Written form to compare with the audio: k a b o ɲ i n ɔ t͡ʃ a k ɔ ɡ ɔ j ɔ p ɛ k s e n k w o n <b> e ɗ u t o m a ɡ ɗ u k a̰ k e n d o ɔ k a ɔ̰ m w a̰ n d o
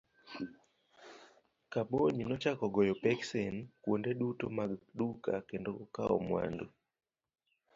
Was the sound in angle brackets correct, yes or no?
no